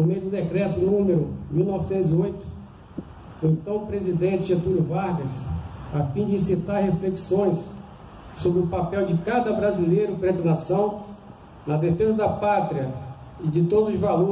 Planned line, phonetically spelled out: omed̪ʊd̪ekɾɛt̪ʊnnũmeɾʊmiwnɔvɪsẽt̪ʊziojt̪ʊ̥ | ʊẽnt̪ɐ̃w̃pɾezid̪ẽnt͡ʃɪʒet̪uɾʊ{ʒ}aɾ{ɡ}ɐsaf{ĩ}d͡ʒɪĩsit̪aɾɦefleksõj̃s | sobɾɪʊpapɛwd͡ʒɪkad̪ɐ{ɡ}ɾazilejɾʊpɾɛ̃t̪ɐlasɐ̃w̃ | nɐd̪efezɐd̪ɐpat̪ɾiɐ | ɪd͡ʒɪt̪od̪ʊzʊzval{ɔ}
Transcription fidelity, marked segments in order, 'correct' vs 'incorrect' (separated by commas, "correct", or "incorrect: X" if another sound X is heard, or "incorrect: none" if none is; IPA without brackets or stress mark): incorrect: v, correct, correct, incorrect: b, incorrect: o